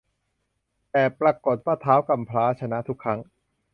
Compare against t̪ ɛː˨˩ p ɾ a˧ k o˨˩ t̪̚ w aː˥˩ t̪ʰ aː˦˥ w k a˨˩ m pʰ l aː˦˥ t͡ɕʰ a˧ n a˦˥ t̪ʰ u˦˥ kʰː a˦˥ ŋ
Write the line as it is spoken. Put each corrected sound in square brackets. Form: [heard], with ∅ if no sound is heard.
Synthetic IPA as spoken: t̪ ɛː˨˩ p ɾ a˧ k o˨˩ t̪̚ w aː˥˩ t̪ʰ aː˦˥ w k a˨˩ m pʰ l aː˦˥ t͡ɕʰ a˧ n a˦˥ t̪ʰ u˦˥ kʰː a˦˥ ŋ